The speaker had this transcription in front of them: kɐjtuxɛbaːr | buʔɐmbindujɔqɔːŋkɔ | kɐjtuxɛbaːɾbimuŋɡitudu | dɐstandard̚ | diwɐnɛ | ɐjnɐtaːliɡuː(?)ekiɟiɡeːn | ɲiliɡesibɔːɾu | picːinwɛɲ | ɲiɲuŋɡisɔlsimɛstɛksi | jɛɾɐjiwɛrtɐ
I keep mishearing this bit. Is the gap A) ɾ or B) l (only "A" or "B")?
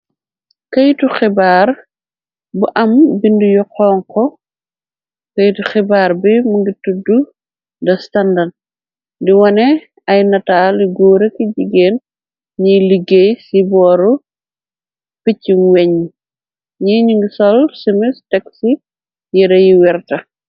A